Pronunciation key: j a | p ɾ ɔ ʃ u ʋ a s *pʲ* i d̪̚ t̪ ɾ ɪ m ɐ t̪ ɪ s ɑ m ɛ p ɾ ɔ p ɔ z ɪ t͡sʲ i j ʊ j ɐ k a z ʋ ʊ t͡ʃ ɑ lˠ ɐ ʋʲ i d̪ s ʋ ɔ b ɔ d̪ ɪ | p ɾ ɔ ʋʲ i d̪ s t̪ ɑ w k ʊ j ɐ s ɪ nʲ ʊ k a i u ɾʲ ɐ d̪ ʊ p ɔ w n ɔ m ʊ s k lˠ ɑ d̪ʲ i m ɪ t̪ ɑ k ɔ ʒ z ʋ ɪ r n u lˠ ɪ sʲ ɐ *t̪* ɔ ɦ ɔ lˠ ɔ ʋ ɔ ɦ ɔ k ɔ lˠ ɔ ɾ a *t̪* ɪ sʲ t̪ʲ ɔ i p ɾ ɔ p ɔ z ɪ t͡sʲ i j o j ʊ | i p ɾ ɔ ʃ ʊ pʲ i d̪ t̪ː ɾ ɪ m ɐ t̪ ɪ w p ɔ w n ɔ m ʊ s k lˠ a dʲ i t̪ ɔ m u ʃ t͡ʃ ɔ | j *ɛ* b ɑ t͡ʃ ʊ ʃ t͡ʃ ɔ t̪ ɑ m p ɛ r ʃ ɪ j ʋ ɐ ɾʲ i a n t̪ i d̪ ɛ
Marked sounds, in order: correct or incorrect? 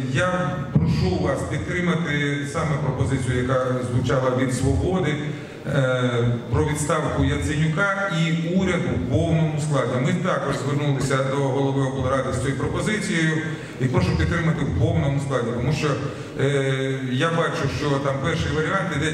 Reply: correct, incorrect: d̪, incorrect: d̪, incorrect: a

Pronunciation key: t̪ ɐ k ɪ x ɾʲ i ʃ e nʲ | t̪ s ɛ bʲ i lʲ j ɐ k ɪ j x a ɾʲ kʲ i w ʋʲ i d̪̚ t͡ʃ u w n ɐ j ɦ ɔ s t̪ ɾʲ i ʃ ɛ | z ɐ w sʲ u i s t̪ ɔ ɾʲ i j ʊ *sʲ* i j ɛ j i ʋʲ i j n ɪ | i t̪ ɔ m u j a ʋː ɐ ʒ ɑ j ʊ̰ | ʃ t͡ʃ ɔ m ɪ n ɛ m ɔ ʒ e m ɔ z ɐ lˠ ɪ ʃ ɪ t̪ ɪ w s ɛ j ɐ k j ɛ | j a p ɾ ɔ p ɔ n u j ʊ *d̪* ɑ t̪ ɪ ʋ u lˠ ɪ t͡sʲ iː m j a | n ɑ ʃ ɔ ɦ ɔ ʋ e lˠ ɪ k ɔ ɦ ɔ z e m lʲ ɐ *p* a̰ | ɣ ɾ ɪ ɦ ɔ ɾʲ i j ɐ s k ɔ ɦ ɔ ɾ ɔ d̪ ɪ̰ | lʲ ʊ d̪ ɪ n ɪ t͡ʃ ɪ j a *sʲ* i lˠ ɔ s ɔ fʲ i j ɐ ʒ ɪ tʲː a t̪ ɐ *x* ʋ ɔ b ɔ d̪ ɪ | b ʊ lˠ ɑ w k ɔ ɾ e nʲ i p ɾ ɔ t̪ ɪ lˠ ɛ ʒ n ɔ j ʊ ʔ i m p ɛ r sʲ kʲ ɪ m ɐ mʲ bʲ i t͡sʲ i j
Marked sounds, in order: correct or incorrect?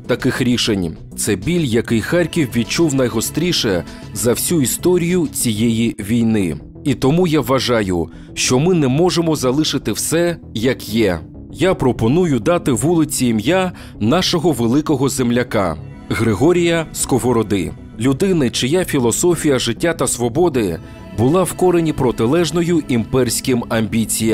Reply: incorrect: t͡sʲ, correct, incorrect: k, incorrect: fʲ, incorrect: s

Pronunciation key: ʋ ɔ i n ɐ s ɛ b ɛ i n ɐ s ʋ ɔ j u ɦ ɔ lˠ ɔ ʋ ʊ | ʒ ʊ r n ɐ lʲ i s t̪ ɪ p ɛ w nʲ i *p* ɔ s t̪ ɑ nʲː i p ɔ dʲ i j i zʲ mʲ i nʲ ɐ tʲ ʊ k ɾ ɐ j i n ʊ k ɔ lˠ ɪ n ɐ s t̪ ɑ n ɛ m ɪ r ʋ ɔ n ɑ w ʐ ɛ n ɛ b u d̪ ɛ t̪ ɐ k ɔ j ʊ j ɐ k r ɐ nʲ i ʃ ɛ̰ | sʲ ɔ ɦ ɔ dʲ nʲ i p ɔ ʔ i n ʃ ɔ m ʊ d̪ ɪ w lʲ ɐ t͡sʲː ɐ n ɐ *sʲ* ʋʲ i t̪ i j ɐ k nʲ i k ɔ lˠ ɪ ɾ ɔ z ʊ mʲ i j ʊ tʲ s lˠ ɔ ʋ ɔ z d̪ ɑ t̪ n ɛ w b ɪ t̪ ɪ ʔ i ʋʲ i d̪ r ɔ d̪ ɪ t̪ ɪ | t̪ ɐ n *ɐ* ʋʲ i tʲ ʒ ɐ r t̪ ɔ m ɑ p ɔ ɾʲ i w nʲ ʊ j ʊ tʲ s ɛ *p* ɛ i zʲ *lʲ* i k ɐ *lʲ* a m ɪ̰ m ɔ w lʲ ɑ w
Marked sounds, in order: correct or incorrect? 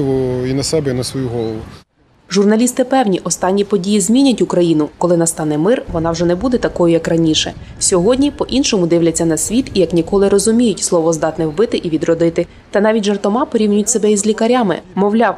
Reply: incorrect: ʔ, correct, incorrect: ɑ, incorrect: b, correct, incorrect: ɾʲ

